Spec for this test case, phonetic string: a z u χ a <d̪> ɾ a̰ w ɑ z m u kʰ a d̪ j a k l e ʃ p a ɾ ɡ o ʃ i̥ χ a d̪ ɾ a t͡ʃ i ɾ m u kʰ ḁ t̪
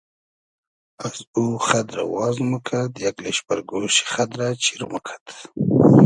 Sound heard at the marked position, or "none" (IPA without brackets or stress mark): d̪